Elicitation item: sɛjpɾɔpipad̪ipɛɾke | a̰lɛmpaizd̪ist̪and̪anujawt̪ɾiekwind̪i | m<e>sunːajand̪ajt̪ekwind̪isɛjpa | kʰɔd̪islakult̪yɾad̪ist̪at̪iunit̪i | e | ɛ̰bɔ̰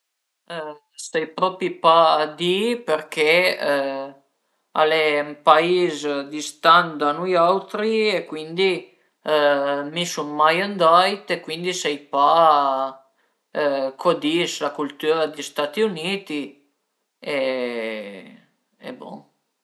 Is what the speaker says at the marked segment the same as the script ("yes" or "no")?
no